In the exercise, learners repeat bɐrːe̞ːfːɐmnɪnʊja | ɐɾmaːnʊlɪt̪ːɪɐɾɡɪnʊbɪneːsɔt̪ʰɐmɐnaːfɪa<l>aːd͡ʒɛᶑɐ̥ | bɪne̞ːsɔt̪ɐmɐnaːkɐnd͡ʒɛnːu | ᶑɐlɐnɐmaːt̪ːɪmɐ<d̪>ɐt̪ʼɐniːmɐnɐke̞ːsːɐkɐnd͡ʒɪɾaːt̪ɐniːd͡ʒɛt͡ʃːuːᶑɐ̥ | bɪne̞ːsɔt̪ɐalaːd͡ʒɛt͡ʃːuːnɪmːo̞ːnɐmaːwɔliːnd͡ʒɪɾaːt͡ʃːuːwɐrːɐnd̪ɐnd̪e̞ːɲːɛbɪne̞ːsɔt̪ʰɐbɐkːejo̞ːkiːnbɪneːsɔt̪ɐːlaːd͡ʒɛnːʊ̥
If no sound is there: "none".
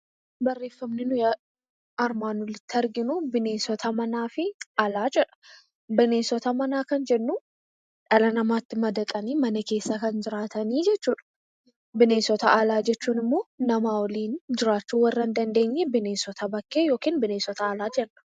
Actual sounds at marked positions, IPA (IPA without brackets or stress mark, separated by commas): l, d̪